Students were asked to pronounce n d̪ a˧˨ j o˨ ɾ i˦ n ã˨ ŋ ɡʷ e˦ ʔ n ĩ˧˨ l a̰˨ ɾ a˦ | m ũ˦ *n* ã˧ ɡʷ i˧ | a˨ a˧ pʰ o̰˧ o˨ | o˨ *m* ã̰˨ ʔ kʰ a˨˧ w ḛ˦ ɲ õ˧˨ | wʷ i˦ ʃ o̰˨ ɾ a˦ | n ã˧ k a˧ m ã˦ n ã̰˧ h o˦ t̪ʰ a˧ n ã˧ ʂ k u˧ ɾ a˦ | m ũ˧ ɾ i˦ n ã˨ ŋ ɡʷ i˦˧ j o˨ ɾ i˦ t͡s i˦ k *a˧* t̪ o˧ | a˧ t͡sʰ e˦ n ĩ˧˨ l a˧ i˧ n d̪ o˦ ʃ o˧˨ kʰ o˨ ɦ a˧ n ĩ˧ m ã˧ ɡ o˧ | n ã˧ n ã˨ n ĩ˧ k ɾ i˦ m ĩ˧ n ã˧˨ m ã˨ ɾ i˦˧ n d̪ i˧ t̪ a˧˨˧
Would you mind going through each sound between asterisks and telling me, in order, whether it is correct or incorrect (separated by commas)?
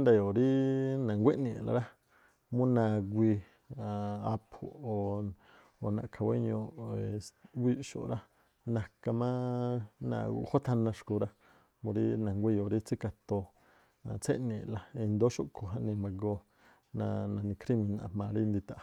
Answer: correct, incorrect, correct